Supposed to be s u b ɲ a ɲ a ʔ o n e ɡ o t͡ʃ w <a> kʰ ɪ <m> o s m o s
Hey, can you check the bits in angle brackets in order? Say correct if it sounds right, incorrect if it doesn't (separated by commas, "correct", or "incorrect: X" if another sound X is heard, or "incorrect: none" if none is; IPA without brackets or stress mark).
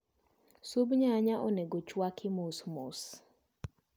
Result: correct, correct